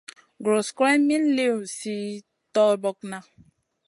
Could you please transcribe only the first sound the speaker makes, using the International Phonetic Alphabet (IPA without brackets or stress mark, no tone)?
ɡ